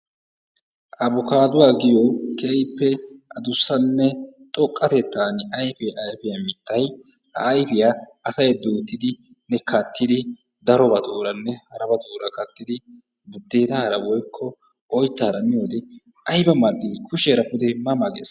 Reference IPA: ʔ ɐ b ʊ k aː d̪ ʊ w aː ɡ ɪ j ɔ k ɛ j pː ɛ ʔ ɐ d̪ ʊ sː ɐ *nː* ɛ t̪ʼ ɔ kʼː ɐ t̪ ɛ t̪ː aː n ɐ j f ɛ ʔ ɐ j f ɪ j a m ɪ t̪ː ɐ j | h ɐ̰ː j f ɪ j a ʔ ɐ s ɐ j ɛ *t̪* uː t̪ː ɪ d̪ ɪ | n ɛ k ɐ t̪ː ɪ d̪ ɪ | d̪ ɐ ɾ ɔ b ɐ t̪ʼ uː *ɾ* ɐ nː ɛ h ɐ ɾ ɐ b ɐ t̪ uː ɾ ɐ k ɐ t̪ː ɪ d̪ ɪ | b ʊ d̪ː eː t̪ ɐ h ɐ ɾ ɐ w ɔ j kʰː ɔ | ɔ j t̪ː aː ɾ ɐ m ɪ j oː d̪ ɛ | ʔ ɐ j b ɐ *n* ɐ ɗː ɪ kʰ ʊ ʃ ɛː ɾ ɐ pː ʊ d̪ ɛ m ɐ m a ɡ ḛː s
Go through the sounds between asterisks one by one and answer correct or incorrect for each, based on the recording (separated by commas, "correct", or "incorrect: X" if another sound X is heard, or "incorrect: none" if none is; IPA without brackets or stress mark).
correct, incorrect: d̪, correct, incorrect: m